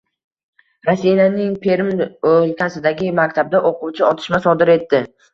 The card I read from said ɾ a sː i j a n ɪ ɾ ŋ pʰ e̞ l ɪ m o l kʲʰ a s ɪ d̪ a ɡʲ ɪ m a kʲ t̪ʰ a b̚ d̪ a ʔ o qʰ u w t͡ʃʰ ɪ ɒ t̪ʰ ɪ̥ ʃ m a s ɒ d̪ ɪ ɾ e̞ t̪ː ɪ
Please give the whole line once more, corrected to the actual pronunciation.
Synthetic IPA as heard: ɾ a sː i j a n ɪ ŋ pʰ e̞ ɾ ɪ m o l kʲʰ a s ɪ d̪ a ɡʲ ɪ m a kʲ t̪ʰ a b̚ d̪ a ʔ o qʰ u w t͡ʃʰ ɪ ɒ t̪ʰ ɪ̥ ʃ m a s ɒ d̪ ɪ ɾ e̞ t̪ː ɪ